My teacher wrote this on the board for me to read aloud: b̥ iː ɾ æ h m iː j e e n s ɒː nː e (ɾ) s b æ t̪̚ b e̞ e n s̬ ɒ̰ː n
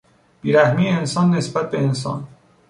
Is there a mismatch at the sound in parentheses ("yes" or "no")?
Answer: yes